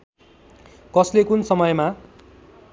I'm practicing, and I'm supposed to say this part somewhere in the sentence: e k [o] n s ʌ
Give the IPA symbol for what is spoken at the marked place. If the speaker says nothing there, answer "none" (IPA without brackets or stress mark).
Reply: u